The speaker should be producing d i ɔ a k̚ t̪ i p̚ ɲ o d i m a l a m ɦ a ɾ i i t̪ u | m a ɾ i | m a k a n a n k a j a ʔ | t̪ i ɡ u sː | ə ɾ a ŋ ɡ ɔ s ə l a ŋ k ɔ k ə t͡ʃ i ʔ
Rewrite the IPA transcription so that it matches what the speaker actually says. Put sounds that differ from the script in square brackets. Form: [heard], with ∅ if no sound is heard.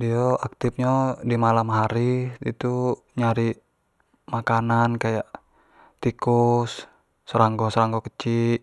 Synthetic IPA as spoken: d i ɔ a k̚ t̪ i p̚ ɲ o d i m a l a m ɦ a ɾ i i t̪ u | [ɲ] a ɾ i | m a k a n a n k a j a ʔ | t̪ i [k] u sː | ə ɾ a ŋ ɡ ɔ s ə [ɾ] a ŋ [ɡ] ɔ k ə t͡ʃ i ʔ